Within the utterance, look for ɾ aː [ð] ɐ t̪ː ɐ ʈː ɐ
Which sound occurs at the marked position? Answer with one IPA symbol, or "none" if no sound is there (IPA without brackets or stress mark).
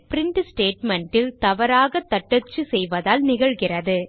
ɣ